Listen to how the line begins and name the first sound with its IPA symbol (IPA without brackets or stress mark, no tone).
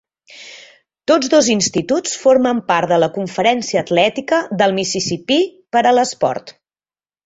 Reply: t̪